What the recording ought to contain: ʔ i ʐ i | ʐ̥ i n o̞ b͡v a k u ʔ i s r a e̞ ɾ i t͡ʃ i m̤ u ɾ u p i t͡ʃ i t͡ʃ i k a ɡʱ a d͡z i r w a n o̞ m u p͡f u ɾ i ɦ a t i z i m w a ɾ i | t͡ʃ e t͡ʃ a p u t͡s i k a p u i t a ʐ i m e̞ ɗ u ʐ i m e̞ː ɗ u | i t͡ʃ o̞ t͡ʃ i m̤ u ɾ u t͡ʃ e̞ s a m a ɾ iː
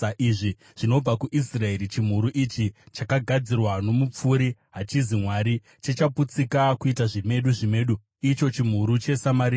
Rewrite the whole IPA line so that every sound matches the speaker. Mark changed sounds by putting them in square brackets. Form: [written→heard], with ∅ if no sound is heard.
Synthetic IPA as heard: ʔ i ʐ i | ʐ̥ i n o̞ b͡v a k u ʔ i s r a e̞ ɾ i t͡ʃ i m̤ u ɾ u [p→ʔ] i t͡ʃ i t͡ʃ [i→a] k a ɡʱ a d͡z i r w a n o̞ m u p͡f u ɾ i ɦ a [t→t͡ʃ] i z i m w a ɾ i | t͡ʃ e t͡ʃ a p u t͡s i k a [p→k] u i t a ʐ i m e̞ ɗ u ʐ i m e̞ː ɗ u | i t͡ʃ o̞ t͡ʃ i m̤ u ɾ u t͡ʃ e̞ s a m a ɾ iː

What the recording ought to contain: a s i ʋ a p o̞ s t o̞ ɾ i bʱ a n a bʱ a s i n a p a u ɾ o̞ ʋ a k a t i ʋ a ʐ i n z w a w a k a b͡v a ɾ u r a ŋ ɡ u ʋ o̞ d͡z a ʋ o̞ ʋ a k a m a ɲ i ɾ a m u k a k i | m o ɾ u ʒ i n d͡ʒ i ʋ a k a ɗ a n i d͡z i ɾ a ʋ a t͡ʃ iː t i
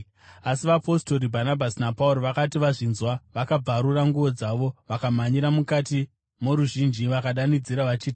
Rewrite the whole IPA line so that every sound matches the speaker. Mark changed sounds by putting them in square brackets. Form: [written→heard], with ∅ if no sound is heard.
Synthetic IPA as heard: a s i ʋ a p o̞ s t o̞ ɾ i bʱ a n a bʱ a s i n a p a u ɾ o̞ ʋ a k a t i ʋ a ʐ i n z w a [w→ʋ] a k a b͡v a ɾ u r a ŋ ɡ u ʋ o̞ d͡z a ʋ o̞ ʋ a k a m a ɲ i ɾ a m u k a [k→t] i | m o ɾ u ʒ i n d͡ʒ i ʋ a k a ɗ a n i d͡z i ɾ a ʋ a t͡ʃ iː t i

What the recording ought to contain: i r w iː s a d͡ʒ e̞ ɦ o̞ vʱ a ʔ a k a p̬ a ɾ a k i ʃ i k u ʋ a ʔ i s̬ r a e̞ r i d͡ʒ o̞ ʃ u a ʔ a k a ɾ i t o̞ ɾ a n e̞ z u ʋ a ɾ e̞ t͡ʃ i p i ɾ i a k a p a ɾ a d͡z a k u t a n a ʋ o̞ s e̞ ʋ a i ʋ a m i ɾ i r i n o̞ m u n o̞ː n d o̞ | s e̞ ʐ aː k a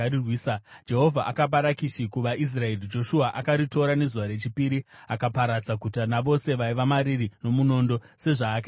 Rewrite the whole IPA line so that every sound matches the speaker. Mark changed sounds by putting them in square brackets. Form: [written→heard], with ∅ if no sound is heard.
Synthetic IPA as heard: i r w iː s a d͡ʒ e̞ ɦ o̞ vʱ a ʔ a k a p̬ a ɾ a k i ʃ i k u ʋ a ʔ i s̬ r a e̞ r i d͡ʒ o̞ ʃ u a ʔ a k a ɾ i t o̞ ɾ a n e̞ z u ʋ a ɾ e̞ t͡ʃ i p i ɾ i a k a p a ɾ a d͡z a k u t a n a ʋ o̞ s e̞ ʋ a i ʋ a m [i→a] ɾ i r i n o̞ m u n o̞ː n d o̞ | s e̞ ʐ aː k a

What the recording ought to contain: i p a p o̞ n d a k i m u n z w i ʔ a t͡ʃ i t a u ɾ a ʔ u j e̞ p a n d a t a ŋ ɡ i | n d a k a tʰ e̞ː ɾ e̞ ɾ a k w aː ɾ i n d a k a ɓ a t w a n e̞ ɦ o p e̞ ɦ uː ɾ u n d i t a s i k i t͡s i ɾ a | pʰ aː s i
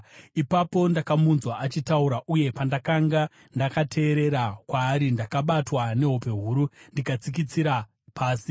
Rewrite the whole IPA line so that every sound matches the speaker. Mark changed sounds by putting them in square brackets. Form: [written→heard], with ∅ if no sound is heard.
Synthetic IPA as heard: i p a p o̞ n d a k [i→a] m u n z w [i→a] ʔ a t͡ʃ i t a u ɾ a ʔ u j e̞ p a n d a [t→k] a ŋ ɡ [i→a] | n d a k a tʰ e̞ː ɾ e̞ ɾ a k w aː ɾ i n d a k a ɓ a t w a n e̞ ɦ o p e̞ ɦ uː ɾ u n d i [t→k] a [s→t͡s] i k i t͡s i ɾ a | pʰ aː s i

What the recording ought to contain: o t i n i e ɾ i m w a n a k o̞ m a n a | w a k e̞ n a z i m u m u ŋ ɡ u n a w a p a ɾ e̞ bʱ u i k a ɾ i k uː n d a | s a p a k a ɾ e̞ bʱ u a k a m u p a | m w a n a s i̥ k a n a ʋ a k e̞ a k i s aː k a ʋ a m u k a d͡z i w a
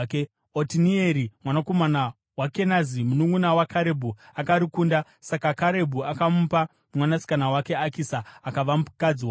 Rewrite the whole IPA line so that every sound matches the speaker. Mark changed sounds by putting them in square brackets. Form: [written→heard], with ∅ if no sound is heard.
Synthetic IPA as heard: o t i n i e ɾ i m w a n a k o̞ m a n a | w a k e̞ n a z i m u [m→n] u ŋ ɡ u n a w a [p→k] a ɾ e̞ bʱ u [i→a] k a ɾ i k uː n d a | s a [p→k] a k a ɾ e̞ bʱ u a k a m u p a | m w a n a s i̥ k a n a [ʋ→w] a k e̞ a k i s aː k a ʋ a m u k a d͡z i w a

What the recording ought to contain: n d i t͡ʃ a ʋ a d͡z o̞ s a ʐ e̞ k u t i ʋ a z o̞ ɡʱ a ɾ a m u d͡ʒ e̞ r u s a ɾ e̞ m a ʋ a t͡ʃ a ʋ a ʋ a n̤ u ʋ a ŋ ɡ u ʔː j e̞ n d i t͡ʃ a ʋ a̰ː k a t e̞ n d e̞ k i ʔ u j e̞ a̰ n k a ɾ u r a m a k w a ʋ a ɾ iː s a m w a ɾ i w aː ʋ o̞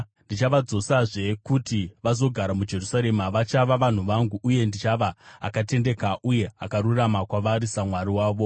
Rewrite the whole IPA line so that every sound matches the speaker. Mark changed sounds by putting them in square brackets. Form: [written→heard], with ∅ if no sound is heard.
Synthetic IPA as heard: n d i t͡ʃ a ʋ a d͡z o̞ s a ʐ e̞ k u t i ʋ a z o̞ ɡʱ a ɾ a m u d͡ʒ e̞ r u s a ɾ e̞ m a ʋ a t͡ʃ a ʋ a ʋ a n̤ u ʋ a ŋ ɡ u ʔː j e̞ n d i t͡ʃ a ʋ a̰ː k a t e̞ n d e̞ k [i→a] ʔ u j e̞ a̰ [n→∅] k a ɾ u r a m a k w a ʋ a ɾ [iː→i] s a m w a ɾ i w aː ʋ o̞

